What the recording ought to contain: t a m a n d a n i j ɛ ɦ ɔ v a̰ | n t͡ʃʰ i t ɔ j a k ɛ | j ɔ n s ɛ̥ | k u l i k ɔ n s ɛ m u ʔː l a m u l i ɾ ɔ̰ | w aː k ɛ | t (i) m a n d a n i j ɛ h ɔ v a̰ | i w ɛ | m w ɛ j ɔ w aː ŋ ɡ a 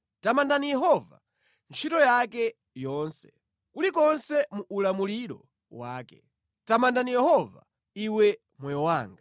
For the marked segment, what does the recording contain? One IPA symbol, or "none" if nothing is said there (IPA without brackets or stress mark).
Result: a